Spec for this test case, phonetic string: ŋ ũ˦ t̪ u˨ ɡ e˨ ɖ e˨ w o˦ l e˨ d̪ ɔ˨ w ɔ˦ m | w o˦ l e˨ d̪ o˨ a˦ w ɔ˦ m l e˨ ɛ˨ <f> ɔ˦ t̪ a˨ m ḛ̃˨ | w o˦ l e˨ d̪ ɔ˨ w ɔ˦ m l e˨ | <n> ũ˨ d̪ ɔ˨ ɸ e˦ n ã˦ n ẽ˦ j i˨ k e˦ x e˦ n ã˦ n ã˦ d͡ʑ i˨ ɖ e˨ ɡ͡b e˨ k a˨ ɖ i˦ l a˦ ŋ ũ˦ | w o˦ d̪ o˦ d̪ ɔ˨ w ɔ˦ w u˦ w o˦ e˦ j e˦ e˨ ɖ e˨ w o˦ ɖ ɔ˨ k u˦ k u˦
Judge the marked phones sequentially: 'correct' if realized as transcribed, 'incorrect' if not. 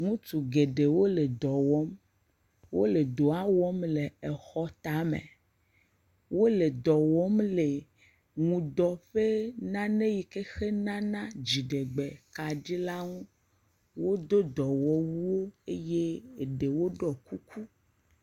incorrect, incorrect

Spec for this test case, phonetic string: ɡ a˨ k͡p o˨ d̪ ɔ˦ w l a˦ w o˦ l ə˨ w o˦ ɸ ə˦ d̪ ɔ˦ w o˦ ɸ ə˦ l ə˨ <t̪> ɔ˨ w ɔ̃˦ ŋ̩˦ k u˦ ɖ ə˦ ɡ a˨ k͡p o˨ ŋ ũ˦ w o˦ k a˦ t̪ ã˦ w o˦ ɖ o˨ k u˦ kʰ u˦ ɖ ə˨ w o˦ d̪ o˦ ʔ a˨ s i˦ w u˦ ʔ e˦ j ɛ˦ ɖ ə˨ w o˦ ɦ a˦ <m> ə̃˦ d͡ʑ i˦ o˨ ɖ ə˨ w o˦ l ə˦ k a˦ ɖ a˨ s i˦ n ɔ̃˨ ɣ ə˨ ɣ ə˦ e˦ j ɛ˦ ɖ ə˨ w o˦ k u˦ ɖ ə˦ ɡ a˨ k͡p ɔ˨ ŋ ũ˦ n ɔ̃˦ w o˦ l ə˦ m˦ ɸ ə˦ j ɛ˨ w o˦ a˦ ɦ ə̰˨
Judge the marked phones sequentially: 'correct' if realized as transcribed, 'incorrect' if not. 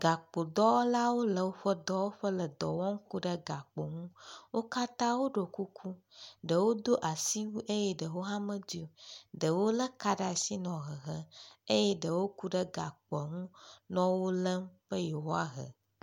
incorrect, correct

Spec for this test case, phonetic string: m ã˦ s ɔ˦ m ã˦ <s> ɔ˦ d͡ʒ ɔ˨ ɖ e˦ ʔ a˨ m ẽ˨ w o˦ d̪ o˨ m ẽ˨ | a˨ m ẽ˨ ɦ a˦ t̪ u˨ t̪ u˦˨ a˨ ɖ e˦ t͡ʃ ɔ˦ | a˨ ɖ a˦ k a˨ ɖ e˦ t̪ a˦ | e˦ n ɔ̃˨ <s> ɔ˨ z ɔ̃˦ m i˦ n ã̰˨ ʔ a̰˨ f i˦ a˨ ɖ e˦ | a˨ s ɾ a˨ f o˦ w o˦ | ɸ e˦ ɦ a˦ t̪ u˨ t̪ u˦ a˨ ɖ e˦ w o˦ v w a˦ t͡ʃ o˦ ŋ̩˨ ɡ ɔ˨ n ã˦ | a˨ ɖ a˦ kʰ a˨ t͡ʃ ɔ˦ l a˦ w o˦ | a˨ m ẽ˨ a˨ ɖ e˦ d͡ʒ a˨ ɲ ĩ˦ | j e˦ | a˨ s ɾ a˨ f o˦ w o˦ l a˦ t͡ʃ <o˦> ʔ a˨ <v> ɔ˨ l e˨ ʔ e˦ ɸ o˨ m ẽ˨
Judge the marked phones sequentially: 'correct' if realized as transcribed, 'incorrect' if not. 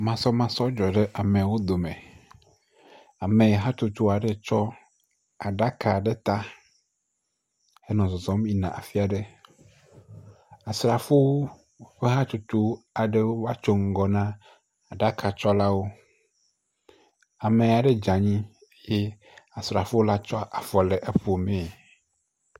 correct, incorrect, incorrect, incorrect

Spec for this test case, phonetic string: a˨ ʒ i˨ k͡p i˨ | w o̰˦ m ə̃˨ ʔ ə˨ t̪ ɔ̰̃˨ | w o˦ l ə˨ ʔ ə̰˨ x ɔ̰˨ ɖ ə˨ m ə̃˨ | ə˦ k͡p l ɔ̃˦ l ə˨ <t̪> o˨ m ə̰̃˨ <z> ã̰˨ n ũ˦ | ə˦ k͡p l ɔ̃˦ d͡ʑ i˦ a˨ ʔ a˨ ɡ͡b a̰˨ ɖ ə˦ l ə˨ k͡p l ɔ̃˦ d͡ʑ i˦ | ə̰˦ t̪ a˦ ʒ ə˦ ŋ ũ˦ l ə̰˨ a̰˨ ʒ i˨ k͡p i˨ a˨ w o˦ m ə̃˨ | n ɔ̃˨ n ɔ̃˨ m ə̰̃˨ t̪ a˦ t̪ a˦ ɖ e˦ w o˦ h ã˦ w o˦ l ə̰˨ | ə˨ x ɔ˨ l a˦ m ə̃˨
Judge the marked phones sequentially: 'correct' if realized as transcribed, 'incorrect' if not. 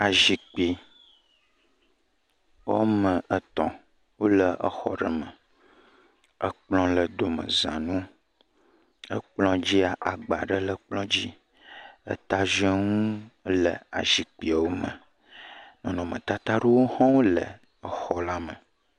incorrect, correct

